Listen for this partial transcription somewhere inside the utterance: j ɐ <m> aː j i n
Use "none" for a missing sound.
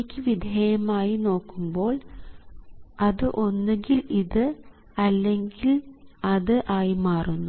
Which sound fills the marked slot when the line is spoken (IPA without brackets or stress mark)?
m